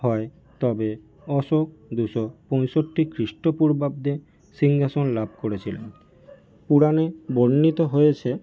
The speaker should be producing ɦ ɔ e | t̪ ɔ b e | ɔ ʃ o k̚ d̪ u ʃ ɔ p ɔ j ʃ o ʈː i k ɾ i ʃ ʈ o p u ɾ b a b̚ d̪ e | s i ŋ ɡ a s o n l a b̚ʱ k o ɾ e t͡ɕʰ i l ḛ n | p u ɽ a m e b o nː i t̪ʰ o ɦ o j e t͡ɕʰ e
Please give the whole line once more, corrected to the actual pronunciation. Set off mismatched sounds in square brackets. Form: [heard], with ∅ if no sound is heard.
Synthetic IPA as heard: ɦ ɔ e | t̪ ɔ b e | ɔ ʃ o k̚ d̪ u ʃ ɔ p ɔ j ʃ o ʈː i k ɾ i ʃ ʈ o p u ɾ b a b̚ d̪ e | s i ŋ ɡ a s o n l a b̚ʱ k o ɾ e t͡ɕʰ i l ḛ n | p u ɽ a [n] e b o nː i [t̪] o ɦ o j e t͡ɕʰ e